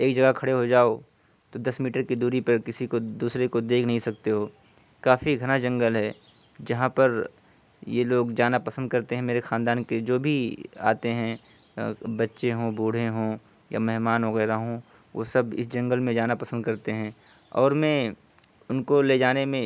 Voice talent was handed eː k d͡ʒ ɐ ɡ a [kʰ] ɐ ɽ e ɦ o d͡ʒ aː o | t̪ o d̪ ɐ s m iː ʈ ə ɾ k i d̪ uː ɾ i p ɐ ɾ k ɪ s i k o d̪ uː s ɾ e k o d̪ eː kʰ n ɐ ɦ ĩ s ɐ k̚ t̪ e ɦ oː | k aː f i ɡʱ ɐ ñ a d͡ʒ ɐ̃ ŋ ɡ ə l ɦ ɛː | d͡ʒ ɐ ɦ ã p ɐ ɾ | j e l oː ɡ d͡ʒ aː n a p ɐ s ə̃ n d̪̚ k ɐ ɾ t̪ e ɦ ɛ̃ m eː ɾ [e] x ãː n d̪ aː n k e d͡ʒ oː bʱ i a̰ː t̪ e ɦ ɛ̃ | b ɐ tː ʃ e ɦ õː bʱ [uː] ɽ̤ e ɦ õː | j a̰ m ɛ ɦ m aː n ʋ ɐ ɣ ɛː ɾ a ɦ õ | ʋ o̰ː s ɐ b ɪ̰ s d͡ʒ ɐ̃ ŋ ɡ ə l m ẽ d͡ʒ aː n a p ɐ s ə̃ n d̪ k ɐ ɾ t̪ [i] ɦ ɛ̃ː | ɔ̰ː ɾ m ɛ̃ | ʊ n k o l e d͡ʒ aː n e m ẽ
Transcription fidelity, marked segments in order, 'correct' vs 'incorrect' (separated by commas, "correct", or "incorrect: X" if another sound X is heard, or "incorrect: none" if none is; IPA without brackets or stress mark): correct, correct, correct, incorrect: e